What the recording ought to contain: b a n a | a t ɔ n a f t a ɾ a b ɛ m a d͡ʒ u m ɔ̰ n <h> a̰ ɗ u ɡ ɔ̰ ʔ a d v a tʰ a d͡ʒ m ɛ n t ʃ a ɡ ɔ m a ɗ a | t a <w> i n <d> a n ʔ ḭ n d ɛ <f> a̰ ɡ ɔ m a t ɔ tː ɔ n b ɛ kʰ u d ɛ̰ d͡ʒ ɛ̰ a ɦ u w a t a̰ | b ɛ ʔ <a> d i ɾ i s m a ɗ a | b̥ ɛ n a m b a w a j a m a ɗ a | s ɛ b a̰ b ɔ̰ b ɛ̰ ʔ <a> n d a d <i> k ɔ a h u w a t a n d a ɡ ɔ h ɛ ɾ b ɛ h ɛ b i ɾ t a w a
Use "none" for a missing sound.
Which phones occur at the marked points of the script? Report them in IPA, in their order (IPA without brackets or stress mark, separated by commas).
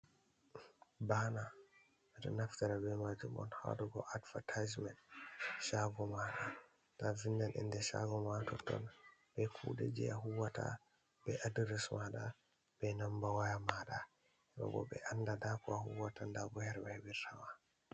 h, v, d, ʃ, a, a, a